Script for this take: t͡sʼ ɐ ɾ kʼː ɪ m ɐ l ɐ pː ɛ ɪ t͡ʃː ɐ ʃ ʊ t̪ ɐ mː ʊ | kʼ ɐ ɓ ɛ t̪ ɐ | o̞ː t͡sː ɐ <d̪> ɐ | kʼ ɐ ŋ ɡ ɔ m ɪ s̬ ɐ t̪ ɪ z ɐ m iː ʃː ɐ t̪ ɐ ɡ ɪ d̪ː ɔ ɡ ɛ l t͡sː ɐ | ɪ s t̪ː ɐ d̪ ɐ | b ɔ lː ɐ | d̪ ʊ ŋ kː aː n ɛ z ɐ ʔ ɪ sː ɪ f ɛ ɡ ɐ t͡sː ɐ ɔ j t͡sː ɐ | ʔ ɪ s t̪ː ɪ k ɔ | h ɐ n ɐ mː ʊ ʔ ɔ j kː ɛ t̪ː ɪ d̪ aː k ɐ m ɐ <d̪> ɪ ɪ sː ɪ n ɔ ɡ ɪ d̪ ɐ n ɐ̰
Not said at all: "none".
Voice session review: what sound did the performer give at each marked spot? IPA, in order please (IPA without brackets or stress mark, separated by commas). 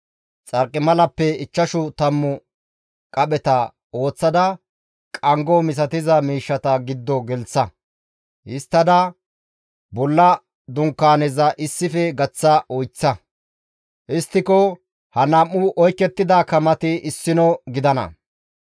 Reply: d̪, t̪